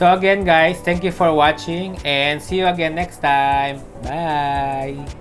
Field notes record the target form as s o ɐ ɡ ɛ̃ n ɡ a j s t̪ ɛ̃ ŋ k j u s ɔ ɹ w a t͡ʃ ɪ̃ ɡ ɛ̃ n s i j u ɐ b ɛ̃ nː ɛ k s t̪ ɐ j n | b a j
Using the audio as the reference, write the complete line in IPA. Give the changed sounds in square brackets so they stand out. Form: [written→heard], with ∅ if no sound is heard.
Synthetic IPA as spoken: s o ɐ ɡ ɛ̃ n ɡ a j s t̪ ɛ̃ ŋ k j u [s→f] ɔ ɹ w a t͡ʃ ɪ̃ [ɡ→ŋ] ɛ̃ n s i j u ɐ [b→ɡ] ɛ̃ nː ɛ k s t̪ [ɐ→a] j [n→m] | b a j